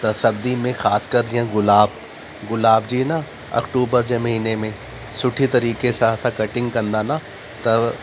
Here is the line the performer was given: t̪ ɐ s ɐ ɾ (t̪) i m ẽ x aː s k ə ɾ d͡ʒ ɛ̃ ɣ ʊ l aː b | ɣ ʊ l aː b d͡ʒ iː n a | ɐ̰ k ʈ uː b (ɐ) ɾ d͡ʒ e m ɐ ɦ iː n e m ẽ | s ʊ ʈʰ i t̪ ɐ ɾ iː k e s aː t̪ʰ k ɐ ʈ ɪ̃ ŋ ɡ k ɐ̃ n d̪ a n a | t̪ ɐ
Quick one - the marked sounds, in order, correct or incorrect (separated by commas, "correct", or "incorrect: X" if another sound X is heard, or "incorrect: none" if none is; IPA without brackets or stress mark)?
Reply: incorrect: d̪, incorrect: ə